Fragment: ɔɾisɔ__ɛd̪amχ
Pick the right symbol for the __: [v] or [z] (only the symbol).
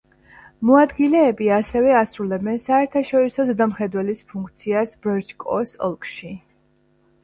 z